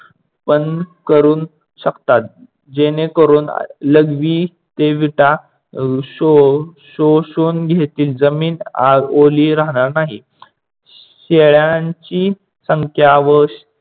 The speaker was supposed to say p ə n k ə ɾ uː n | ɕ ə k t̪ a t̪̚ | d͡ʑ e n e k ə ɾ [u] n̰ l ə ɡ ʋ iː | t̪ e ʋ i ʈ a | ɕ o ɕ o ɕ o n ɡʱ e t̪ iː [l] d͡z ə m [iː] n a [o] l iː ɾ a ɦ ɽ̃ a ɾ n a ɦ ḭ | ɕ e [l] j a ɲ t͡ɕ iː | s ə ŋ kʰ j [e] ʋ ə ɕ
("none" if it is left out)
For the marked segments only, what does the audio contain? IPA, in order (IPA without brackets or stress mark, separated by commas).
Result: uː, l, iː, o, ɭ, a